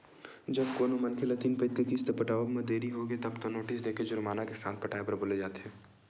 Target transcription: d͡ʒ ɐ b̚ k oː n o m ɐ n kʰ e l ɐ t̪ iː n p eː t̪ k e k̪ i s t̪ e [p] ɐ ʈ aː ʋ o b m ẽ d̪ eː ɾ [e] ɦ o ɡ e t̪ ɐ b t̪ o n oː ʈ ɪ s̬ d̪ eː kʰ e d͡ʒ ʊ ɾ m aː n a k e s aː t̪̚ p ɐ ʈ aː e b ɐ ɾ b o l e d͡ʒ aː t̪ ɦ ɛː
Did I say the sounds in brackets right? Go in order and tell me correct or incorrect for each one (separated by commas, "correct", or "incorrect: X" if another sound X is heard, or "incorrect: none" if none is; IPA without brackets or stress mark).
correct, incorrect: i